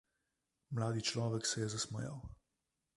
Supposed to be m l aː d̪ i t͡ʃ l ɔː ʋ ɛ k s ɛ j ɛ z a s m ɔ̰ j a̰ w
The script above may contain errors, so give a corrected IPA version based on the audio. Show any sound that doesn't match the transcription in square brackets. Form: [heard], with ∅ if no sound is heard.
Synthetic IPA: m l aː d̪ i t͡ʃ l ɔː ʋ ɛ k s ɛ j ɛ z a s m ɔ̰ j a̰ w